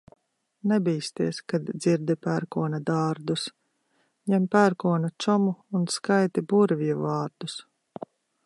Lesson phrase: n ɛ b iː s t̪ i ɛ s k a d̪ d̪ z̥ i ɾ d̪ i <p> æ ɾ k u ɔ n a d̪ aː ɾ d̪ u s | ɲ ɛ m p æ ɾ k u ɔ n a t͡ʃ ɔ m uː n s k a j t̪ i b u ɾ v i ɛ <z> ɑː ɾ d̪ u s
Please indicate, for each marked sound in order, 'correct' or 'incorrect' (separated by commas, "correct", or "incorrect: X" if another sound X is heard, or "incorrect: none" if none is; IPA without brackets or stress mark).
correct, incorrect: v